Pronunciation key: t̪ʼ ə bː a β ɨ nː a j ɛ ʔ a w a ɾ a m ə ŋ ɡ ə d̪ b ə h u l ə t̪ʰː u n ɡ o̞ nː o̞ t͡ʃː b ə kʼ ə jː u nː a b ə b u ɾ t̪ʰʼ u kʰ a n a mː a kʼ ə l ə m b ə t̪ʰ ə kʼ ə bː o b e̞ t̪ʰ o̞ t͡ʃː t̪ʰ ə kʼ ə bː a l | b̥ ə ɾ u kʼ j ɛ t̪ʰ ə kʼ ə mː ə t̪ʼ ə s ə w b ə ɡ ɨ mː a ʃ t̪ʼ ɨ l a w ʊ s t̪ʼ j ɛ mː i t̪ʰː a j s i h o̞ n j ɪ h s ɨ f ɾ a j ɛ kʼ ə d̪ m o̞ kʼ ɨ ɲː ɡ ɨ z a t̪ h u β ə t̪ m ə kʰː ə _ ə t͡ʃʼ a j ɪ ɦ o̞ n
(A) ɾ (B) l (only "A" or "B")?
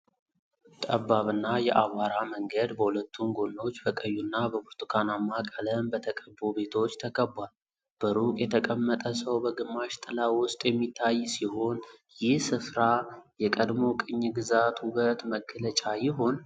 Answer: B